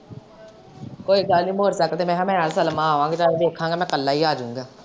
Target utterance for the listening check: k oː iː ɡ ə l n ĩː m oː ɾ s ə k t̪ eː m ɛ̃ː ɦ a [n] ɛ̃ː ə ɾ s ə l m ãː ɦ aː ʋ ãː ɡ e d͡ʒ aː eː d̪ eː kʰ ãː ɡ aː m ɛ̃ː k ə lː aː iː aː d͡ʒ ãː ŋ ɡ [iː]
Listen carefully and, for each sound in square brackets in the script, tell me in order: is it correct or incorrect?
incorrect, incorrect

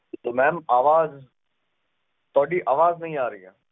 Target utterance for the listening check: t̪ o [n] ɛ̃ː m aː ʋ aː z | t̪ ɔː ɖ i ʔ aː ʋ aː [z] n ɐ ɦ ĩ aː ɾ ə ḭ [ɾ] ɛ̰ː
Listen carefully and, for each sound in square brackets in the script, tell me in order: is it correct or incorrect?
incorrect, correct, incorrect

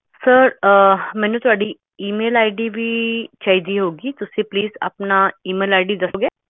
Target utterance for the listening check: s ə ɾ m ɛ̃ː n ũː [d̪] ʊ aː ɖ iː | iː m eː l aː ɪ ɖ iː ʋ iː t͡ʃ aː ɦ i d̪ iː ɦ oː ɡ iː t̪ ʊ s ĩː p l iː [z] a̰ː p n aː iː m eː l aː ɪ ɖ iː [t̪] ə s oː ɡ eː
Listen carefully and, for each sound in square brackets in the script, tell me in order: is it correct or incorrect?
incorrect, correct, incorrect

